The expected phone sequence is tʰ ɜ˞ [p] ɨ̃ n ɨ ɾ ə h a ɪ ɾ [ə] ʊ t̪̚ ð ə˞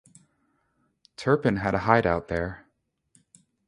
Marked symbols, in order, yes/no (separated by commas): yes, no